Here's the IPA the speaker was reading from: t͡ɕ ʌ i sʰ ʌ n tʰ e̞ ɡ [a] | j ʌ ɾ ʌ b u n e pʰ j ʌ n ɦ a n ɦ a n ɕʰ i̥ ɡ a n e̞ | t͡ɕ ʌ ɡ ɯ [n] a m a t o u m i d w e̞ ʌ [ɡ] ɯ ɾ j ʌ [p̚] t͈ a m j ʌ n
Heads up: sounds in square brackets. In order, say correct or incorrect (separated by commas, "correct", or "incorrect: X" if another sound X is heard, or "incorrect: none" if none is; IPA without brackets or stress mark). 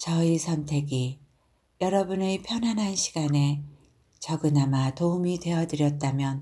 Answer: incorrect: i, correct, incorrect: d, incorrect: t̚